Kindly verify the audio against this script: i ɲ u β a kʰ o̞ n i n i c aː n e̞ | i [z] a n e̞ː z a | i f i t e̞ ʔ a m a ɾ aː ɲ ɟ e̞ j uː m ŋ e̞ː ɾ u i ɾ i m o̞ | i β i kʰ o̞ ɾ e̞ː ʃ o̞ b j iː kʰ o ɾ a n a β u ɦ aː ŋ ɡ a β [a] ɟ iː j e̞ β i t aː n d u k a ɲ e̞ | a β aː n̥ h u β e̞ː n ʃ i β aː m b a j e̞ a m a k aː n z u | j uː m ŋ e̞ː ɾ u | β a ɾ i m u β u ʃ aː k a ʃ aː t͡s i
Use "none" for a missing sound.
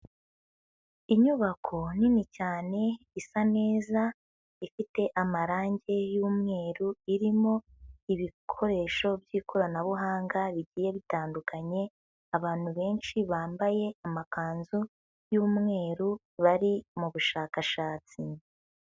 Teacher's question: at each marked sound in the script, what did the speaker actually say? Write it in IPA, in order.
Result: s, i

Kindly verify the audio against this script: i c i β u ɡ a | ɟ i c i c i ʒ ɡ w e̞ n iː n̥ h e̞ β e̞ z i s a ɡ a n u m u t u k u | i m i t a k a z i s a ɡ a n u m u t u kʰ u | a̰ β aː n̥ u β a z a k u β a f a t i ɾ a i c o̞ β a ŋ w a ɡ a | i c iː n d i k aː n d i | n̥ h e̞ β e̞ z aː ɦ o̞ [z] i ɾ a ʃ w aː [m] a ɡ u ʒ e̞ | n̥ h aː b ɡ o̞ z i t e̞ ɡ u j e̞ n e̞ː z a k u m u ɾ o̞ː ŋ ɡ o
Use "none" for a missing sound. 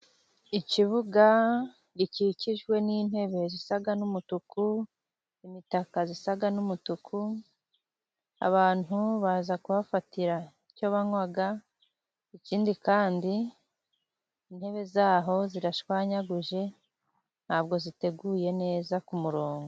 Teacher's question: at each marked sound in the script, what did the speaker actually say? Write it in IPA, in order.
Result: z, ɲ

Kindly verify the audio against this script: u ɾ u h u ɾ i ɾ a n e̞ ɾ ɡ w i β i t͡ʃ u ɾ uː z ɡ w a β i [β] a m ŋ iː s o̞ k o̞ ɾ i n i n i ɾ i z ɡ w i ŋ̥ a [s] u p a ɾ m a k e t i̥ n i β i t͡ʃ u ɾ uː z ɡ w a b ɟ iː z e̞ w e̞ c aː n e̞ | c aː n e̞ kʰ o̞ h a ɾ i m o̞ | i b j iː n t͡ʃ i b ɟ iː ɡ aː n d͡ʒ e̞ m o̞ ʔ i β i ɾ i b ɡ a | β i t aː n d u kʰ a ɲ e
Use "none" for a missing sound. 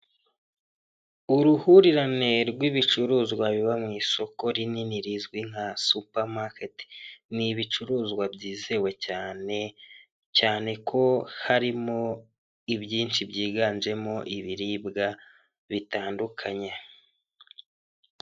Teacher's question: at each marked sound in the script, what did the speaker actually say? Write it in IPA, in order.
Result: β, s

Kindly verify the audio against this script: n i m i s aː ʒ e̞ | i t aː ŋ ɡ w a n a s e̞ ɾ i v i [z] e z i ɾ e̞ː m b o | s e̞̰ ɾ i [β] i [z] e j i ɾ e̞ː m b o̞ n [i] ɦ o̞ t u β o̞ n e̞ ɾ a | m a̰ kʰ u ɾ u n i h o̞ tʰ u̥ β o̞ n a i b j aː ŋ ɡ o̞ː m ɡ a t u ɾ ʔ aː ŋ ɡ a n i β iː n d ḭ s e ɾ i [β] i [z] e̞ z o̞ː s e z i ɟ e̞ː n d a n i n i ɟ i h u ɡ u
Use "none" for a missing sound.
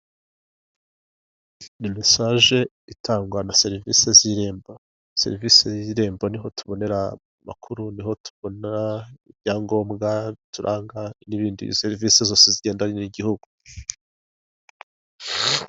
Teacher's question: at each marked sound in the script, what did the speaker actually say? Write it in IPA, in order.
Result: s, v, s, i, v, s

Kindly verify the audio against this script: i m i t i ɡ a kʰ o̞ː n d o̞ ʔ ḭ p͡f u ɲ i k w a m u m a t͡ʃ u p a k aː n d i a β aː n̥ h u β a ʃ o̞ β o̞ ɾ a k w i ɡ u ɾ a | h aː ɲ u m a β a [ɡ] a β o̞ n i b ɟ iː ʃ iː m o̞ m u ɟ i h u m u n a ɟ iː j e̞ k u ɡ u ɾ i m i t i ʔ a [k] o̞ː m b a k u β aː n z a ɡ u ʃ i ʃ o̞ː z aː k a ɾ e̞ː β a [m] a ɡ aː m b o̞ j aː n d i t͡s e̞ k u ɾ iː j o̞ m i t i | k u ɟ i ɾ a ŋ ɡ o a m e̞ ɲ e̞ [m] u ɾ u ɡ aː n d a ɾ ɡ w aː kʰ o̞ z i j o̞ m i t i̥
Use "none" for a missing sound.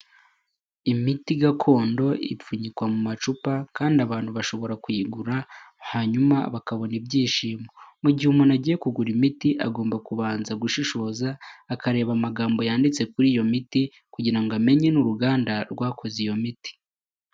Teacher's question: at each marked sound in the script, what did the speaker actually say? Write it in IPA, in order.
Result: k, ɡ, m, n

